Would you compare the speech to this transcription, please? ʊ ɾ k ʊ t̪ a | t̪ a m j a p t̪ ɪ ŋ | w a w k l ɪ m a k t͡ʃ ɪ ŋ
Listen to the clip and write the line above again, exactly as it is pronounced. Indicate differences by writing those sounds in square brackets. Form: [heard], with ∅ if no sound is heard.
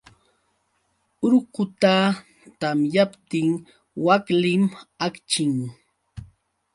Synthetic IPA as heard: ʊ ɾ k ʊ t̪ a | t̪ a m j a p t̪ ɪ ŋ | w a [∅] k l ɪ m a k t͡ʃ ɪ ŋ